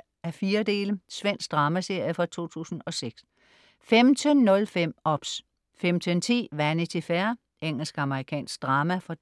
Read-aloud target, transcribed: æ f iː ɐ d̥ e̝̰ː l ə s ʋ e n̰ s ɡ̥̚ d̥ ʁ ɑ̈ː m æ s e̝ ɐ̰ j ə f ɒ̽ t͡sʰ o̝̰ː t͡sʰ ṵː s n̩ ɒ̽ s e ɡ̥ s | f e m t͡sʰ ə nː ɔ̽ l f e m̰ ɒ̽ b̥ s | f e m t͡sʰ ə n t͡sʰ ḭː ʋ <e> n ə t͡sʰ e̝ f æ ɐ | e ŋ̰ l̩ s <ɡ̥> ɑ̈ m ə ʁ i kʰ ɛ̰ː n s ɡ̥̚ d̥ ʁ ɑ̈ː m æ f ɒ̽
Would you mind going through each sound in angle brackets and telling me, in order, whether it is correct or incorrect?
incorrect, correct

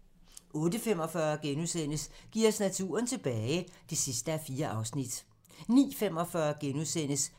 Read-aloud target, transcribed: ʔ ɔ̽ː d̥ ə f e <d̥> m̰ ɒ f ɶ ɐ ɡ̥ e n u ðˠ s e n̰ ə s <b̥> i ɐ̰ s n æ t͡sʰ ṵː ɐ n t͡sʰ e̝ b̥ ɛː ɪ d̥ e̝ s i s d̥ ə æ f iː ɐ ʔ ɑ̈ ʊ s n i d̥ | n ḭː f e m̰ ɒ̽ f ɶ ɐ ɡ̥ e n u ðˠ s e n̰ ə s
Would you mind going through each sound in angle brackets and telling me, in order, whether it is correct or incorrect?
incorrect, incorrect

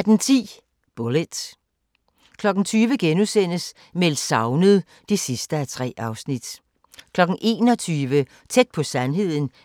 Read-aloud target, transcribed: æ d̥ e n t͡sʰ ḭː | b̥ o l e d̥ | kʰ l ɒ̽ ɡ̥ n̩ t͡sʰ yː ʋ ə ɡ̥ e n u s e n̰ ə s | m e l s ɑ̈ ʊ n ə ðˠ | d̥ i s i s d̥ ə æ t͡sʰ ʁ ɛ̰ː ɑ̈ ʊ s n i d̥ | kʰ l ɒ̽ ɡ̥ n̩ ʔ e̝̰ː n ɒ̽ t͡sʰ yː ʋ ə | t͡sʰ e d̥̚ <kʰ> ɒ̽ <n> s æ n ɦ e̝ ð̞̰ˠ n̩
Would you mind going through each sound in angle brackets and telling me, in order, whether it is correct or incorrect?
incorrect, incorrect

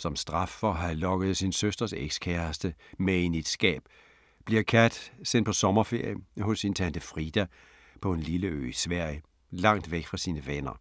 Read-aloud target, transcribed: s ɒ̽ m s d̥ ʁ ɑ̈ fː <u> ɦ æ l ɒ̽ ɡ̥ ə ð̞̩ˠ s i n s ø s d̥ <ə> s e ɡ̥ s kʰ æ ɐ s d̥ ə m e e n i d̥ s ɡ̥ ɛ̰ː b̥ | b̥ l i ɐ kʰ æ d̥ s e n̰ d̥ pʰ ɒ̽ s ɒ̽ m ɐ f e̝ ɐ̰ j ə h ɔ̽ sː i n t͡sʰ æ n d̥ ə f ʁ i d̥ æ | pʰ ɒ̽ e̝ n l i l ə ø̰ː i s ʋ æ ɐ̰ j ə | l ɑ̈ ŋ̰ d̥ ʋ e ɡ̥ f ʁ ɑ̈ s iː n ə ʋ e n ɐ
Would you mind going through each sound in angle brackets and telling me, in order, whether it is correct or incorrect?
incorrect, incorrect

